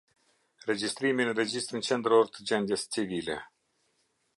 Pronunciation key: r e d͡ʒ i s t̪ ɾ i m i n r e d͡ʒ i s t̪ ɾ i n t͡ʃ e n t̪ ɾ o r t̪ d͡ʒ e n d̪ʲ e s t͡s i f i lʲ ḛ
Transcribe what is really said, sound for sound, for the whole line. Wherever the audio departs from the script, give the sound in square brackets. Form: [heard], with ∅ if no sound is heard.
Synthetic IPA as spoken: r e d͡ʒ i s t̪ ɾ i m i n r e d͡ʒ i s t̪ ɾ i n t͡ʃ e n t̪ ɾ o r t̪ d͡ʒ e n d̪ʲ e s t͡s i [v] i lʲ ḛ